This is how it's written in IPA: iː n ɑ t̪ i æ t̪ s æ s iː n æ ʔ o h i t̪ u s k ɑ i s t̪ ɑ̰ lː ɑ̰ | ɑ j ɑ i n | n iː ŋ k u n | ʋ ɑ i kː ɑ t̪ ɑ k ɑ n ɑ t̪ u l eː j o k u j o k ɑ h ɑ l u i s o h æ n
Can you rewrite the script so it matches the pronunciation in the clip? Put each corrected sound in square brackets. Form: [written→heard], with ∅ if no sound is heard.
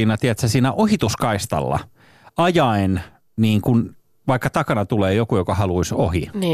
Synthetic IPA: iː n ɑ t̪ i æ t̪ s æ s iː n æ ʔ o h i t̪ u s k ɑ i s t̪ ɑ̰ lː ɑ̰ | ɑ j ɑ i n | n iː ŋ k u n | ʋ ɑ i kː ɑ t̪ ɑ k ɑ n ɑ t̪ u l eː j o k u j o k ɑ h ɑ l u i s o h [æ→i] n